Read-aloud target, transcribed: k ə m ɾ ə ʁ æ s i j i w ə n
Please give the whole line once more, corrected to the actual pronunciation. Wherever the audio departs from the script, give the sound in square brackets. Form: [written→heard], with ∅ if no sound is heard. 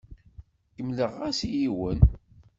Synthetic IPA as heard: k ə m [ɾ→l] ə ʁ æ s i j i w ə n